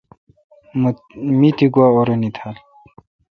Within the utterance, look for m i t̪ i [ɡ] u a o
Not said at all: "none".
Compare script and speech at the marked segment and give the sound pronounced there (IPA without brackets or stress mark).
ɡ